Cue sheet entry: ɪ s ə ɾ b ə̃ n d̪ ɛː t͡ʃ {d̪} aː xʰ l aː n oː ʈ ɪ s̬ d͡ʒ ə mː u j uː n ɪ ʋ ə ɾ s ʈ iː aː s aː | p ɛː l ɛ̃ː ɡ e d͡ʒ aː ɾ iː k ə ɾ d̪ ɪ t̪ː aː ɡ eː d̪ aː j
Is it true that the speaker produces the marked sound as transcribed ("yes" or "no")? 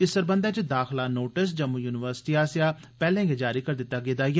yes